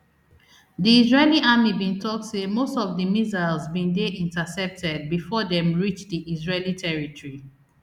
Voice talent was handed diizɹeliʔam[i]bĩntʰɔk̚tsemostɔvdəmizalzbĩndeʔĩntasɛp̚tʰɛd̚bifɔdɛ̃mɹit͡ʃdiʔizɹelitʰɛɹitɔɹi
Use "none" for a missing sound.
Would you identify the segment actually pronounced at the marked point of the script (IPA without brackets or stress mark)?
i